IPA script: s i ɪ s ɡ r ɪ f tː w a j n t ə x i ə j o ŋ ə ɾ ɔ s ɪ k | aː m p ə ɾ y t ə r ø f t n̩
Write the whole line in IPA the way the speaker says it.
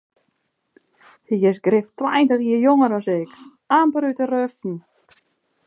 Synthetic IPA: h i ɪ s ɡ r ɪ f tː w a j n t ə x i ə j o ŋ ə ɾ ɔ s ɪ k | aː m p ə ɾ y t ə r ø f t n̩